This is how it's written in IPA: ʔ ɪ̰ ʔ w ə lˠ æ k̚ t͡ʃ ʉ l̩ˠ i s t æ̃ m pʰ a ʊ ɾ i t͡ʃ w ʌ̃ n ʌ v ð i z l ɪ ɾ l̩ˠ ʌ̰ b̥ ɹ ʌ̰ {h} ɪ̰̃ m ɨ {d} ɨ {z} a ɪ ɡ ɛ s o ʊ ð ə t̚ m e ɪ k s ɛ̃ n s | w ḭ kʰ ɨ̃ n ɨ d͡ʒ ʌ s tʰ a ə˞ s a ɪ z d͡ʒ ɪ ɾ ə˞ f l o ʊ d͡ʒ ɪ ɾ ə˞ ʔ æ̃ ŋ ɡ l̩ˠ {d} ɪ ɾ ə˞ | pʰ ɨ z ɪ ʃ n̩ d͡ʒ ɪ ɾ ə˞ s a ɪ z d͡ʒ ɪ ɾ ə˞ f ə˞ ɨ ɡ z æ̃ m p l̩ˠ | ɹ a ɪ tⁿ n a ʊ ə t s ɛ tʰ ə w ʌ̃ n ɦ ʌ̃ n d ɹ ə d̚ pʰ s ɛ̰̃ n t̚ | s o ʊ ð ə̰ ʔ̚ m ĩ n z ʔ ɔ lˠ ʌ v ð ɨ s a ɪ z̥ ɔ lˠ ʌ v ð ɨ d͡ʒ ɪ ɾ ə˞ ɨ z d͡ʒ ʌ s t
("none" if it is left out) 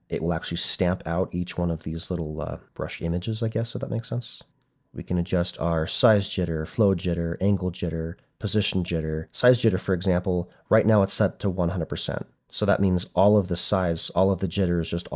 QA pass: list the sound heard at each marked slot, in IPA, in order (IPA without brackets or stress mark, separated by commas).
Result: ʃ, d͡ʒ, z, d͡ʒ